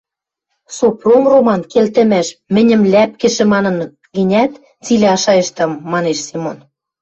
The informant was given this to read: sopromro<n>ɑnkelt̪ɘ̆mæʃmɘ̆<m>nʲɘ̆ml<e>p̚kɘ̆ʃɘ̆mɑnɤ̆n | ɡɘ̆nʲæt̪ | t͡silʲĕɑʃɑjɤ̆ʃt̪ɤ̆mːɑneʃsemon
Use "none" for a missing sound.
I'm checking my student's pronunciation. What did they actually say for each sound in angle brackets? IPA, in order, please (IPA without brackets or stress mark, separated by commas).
m, none, æ